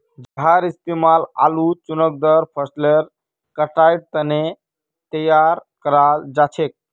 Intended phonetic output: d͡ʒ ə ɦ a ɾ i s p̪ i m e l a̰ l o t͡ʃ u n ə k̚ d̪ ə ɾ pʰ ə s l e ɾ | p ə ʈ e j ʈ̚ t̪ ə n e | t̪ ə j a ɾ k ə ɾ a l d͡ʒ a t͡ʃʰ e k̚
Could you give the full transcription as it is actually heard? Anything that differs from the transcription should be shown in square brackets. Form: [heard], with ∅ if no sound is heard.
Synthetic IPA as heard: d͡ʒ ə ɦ a ɾ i s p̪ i m [a] l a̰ l [u] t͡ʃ u n ə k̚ d̪ ə ɾ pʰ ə s l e ɾ | [k] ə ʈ [a] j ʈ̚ t̪ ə n e | t̪ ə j a ɾ k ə ɾ a l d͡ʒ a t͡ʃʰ e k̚